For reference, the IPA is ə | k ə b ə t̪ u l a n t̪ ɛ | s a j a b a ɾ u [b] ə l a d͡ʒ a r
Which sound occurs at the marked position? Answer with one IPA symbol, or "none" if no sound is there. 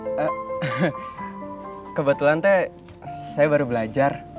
b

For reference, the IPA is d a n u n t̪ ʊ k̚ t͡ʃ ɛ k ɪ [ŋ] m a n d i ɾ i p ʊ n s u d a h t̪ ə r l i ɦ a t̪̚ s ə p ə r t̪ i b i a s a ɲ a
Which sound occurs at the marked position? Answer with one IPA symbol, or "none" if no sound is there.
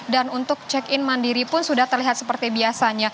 n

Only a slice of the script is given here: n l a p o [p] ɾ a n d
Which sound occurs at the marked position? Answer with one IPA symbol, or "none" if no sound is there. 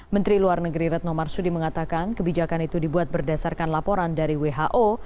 none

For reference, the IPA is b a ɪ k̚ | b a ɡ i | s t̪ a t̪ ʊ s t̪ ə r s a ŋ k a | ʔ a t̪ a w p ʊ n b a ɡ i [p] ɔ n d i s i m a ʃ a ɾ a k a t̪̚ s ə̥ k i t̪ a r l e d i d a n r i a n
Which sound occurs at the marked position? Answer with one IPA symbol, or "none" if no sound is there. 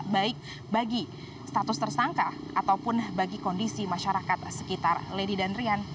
k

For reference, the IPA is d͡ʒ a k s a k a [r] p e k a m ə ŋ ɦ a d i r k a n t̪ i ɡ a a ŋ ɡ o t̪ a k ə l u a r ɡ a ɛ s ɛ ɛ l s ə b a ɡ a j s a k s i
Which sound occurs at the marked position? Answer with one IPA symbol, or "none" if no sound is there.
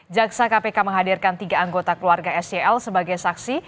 none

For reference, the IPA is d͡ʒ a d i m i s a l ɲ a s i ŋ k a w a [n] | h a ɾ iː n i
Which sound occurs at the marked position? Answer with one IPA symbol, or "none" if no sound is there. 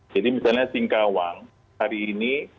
ŋ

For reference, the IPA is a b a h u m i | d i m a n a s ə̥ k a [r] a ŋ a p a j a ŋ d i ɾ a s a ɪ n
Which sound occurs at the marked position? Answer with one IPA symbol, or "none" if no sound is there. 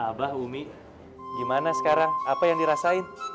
ɾ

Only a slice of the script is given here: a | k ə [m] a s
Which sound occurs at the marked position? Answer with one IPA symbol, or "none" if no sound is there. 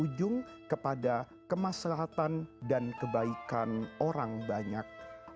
m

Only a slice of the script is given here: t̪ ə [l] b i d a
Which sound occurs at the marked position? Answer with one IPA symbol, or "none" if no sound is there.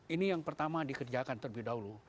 r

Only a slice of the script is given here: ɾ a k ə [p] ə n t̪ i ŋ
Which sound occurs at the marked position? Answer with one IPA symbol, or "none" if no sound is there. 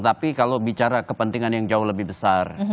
p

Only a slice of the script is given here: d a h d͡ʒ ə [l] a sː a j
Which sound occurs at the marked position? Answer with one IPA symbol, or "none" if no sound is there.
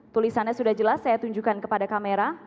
l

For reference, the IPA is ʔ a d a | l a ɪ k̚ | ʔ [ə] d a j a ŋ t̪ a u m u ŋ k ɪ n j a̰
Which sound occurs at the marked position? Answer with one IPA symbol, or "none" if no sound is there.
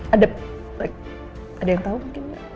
a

